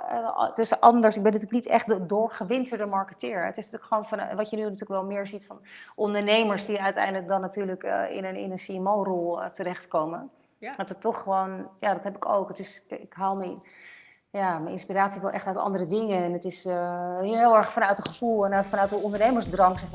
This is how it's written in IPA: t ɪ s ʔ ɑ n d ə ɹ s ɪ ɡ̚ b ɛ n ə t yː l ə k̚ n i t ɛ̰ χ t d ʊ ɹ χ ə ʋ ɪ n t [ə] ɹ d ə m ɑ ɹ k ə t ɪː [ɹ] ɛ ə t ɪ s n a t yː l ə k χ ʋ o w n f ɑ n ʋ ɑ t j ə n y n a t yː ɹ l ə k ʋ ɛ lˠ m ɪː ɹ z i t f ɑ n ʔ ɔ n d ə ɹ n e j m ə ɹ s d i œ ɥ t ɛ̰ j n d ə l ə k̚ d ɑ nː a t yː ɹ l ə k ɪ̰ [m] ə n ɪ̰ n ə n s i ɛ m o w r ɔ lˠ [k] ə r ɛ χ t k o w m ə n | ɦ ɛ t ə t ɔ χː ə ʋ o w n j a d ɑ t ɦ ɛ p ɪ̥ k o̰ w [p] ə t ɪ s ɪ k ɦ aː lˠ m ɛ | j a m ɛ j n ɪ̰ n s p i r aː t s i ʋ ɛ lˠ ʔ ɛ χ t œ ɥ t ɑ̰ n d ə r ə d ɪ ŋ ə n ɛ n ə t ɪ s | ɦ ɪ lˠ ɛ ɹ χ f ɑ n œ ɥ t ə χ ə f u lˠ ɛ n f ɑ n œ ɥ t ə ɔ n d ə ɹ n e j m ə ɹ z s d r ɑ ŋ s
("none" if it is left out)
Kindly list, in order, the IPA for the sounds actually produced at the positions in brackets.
ə, ɹ, n, t, k

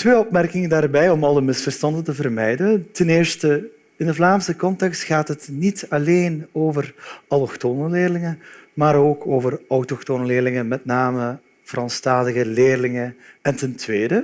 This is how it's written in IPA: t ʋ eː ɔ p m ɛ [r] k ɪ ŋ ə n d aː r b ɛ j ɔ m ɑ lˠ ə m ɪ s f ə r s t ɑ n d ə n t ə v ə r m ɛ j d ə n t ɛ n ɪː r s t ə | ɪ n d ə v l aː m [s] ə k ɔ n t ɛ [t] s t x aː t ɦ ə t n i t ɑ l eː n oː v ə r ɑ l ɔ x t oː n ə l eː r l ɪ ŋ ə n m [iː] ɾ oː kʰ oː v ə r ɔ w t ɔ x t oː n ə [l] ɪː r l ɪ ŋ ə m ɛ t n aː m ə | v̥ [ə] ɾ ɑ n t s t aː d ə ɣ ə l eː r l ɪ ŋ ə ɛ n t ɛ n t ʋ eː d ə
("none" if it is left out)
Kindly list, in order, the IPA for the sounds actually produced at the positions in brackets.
r, s, k, aː, l, ə

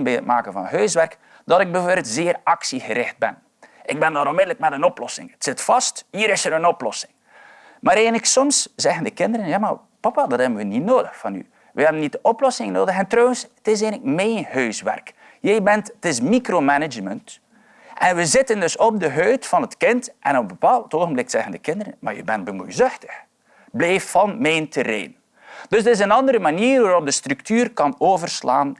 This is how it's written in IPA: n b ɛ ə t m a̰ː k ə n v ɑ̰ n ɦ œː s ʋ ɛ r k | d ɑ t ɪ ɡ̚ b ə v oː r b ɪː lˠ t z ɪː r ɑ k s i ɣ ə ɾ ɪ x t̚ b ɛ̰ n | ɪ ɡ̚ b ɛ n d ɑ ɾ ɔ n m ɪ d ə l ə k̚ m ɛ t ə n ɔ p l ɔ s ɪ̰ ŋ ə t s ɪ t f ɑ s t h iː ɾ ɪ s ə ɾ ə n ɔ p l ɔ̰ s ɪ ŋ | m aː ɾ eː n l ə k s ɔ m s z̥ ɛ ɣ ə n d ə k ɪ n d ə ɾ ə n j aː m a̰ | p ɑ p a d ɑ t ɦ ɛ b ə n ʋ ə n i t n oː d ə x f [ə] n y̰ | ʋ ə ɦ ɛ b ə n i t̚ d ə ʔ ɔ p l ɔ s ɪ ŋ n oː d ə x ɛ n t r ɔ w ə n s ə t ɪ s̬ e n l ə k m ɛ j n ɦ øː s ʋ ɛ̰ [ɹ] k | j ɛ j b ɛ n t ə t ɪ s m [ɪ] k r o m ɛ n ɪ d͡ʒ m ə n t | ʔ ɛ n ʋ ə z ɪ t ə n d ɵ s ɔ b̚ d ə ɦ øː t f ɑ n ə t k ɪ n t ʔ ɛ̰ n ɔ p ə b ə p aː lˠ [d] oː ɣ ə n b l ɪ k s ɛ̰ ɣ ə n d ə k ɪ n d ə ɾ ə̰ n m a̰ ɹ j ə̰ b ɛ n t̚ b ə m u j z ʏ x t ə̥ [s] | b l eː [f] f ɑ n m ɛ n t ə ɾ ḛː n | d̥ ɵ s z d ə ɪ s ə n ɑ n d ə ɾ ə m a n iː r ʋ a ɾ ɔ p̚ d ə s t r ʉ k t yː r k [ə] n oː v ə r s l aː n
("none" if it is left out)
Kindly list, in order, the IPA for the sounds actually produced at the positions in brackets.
ɑ, r, i, t, x, f, ɑ

